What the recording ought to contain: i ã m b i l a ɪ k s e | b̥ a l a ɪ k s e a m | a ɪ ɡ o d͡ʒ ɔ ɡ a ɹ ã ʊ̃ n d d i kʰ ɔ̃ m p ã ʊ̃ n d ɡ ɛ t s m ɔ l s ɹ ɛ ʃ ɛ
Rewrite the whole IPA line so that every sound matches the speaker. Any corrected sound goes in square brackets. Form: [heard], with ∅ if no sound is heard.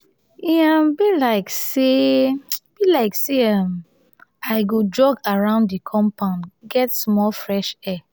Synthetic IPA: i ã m b i l a ɪ k s e | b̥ [i] l a ɪ k s e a m | a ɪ ɡ o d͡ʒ ɔ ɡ a ɹ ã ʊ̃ n d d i kʰ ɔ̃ m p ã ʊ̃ n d ɡ ɛ t s m ɔ l [f] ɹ ɛ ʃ ɛ